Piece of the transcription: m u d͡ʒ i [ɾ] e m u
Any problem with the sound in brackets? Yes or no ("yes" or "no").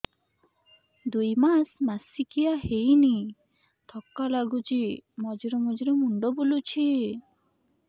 no